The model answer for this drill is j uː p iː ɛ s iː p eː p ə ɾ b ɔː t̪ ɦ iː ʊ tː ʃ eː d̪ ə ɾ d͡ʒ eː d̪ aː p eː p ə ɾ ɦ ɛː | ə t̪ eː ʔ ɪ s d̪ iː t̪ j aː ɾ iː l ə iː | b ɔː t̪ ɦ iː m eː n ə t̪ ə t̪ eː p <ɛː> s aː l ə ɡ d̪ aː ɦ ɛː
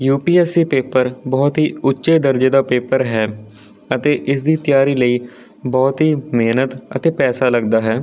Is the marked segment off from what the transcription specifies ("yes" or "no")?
no